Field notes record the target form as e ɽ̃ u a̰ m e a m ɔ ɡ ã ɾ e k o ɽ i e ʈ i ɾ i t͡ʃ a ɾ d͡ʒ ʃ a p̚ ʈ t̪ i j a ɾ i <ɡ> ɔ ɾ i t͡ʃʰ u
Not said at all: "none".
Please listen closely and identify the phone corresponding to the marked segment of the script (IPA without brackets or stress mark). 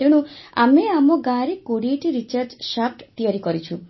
k